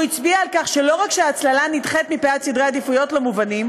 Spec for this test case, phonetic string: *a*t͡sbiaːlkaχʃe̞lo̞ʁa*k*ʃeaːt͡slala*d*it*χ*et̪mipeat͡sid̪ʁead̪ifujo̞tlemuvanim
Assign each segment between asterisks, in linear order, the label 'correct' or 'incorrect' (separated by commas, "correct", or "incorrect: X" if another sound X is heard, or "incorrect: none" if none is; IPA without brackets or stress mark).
incorrect: i, correct, incorrect: n, correct